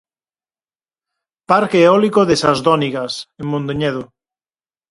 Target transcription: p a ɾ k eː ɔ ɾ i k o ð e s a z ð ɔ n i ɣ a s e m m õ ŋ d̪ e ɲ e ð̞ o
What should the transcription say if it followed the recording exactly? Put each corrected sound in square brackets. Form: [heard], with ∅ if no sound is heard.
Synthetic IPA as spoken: p a ɾ k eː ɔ [l] i k o ð e s a z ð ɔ n i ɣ a s e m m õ [n] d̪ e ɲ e ð̞ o